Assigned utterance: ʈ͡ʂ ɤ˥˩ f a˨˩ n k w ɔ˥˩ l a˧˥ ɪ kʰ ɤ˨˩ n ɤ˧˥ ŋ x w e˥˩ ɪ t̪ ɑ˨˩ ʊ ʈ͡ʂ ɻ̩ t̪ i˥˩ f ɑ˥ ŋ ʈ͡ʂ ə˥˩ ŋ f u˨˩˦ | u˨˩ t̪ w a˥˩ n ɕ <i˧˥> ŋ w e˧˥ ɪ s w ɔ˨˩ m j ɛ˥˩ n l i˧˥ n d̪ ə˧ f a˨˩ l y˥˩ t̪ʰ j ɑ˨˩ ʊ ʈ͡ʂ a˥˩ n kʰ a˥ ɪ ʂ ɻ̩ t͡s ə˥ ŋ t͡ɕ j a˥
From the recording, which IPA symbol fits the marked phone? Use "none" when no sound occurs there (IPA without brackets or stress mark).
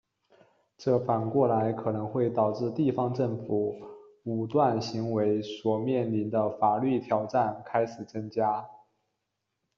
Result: i˧˥